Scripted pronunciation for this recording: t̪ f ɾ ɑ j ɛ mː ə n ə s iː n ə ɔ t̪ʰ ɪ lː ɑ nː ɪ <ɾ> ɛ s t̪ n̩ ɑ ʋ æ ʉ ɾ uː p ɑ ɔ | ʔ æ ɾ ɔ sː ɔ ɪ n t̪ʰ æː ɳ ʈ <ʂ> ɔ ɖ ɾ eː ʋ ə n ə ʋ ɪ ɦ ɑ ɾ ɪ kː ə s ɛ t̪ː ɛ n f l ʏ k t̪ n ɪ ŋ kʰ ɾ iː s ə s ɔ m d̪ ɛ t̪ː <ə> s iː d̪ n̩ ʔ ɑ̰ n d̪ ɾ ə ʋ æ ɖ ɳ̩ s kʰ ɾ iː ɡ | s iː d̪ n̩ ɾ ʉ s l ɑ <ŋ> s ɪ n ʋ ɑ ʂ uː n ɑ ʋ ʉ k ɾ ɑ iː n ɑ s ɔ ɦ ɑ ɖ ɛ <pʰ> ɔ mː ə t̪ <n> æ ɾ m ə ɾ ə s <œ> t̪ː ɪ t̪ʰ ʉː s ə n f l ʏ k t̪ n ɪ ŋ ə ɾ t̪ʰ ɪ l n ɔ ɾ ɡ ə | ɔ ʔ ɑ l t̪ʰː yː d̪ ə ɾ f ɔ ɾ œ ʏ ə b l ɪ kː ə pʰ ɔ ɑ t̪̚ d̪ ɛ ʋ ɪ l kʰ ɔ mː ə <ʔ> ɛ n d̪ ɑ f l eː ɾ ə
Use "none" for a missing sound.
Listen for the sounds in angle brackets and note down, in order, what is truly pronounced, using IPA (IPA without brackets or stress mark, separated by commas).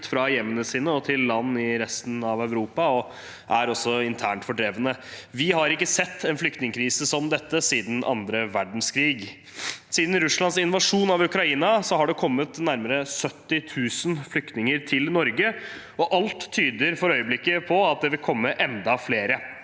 ɾ, f, ə, n, kʰ, n, œ, ʔ